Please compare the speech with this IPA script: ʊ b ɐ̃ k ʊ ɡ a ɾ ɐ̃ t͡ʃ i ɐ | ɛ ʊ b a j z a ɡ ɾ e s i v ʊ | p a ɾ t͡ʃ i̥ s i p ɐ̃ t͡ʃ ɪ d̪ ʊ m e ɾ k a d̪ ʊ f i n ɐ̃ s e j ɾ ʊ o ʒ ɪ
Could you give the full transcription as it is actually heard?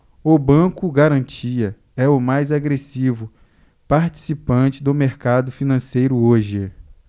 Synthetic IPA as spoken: ʊ b ɐ̃ k ʊ ɡ a ɾ ɐ̃ t͡ʃ i ɐ | ɛ ʊ m a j z a ɡ ɾ e s i v ʊ | p a ɾ t͡ʃ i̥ s i p ɐ̃ t͡ʃ ɪ d̪ ʊ m e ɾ k a d̪ ʊ f i n ɐ̃ s e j ɾ ʊ o ʒ ɪ